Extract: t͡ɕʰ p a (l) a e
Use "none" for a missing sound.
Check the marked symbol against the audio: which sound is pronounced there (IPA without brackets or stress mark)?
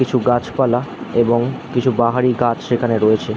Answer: l